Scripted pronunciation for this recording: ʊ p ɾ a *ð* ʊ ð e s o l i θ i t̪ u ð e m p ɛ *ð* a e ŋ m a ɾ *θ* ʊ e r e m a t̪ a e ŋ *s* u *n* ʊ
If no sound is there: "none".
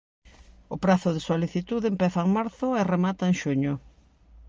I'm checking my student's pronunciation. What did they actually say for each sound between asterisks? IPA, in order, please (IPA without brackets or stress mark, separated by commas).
θ, θ, θ, ʃ, ɲ